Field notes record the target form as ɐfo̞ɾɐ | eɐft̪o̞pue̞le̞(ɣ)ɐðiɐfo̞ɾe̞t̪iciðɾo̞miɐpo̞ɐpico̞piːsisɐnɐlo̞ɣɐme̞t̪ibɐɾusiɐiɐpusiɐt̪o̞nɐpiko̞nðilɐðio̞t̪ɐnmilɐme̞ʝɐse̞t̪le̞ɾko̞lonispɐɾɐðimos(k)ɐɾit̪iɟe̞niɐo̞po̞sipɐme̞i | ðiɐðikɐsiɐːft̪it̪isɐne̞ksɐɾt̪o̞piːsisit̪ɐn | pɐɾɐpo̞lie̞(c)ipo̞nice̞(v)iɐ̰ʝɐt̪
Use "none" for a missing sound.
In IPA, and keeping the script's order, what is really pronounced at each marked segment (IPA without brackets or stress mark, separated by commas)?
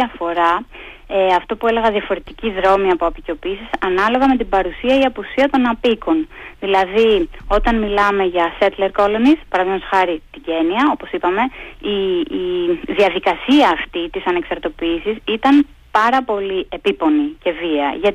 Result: ɣ, x, p, v